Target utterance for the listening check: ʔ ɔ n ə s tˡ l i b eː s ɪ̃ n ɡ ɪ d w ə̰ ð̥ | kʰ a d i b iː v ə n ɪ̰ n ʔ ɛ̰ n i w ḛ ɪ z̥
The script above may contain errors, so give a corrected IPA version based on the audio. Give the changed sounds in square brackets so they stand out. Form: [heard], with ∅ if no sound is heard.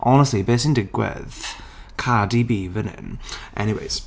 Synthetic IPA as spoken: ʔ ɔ n ə s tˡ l i b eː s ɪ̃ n [d] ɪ [ɡ] w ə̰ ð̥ | kʰ a d i b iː v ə n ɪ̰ n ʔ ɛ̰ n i w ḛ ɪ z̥